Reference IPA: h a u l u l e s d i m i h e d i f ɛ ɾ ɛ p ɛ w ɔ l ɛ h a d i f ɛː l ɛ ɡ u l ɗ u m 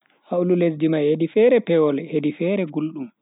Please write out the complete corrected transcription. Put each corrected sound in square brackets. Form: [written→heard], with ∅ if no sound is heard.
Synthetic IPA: h a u l u l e s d i m [i→a] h e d i f ɛ ɾ ɛ p ɛ w ɔ l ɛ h [a→e] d i f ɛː [l→ɾ] ɛ ɡ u l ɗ u m